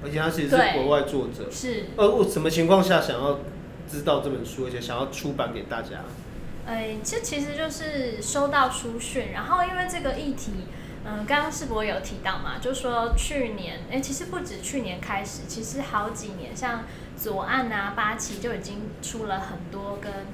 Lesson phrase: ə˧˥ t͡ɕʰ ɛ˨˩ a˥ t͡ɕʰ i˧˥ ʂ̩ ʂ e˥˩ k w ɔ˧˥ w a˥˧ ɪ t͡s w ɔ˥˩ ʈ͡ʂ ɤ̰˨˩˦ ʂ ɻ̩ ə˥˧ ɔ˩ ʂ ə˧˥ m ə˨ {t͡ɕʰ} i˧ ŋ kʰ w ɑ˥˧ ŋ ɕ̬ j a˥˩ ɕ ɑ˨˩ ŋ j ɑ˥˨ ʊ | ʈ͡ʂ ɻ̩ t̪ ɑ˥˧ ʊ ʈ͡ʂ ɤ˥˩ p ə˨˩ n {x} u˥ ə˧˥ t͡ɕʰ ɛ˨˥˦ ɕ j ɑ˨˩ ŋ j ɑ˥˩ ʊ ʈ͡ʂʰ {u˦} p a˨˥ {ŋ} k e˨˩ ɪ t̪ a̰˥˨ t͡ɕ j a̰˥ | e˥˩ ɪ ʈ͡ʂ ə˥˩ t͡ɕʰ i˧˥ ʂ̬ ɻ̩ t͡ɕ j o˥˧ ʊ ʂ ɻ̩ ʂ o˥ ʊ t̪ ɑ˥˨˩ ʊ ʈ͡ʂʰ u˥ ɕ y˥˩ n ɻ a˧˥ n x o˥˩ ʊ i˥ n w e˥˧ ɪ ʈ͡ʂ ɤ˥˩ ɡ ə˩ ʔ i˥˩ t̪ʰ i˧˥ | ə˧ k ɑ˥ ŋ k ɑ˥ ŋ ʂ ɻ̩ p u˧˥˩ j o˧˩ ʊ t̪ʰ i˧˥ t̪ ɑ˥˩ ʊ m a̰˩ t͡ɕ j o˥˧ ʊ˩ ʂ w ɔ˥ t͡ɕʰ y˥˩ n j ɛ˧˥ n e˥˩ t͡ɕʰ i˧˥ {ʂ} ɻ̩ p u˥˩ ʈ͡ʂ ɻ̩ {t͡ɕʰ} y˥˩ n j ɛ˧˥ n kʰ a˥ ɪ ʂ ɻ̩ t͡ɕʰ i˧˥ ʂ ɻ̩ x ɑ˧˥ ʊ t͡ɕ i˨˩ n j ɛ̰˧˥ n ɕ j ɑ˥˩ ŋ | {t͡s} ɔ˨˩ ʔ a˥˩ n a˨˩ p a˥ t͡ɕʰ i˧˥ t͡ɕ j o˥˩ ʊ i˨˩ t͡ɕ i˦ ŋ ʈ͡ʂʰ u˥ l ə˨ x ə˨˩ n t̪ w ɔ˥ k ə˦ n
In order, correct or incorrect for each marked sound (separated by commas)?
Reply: correct, incorrect, correct, incorrect, correct, correct, correct